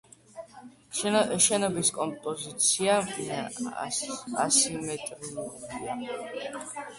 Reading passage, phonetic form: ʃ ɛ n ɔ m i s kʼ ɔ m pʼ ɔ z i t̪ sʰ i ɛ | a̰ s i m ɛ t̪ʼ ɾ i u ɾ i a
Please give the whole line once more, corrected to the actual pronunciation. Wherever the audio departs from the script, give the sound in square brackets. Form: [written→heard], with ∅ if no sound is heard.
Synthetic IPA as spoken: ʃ ɛ n ɔ [m→b] i s kʼ ɔ m pʼ ɔ z i t̪ sʰ i [ɛ→a] | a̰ s i m ɛ t̪ʼ ɾ i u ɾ i a